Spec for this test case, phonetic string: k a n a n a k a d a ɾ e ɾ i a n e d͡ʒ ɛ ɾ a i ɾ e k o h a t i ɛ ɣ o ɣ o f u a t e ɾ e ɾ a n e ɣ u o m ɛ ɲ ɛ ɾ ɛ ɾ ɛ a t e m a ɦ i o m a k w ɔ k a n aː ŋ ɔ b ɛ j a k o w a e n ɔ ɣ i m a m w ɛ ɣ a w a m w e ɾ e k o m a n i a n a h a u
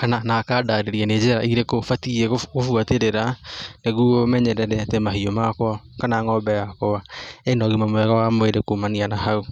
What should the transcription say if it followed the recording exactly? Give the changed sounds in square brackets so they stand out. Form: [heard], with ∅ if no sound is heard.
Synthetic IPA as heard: k a n a n a k a d a ɾ e ɾ i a n e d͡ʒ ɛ ɾ a i ɾ e k o [f] a t i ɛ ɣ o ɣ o f u a t e ɾ e ɾ a n e ɣ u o m ɛ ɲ ɛ ɾ ɛ ɾ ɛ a t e m a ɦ i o m a k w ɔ k a n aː ŋ ɔ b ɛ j a k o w a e n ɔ ɣ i m a m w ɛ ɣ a w a m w e ɾ e k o m a n i a n a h a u